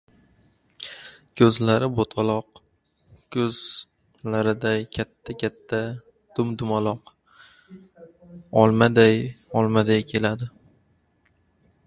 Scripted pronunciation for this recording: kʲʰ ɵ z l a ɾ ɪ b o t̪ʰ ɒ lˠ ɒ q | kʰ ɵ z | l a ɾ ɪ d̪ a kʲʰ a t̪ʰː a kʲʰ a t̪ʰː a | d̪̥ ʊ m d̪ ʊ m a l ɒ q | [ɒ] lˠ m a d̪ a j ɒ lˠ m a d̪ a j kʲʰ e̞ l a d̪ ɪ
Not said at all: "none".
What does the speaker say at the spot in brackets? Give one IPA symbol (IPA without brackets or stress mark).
ɒ